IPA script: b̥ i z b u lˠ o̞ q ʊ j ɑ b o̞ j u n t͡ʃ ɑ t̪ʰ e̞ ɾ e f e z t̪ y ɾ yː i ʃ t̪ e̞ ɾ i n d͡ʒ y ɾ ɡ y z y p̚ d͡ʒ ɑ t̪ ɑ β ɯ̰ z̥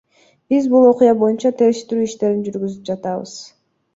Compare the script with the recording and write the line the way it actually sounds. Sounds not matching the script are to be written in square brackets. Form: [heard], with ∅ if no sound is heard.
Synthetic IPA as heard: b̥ i z b u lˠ o̞ q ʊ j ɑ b o̞ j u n t͡ʃ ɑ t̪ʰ e̞ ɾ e [ʃ] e [∅] t̪ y ɾ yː i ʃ t̪ e̞ ɾ i n d͡ʒ y ɾ ɡ y z y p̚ d͡ʒ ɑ t̪ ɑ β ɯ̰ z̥